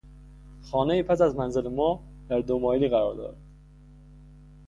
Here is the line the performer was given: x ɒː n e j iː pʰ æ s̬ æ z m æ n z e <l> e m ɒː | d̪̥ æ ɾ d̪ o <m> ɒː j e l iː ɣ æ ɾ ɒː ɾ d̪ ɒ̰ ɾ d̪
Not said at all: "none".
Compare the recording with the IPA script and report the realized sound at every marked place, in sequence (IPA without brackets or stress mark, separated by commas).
l, m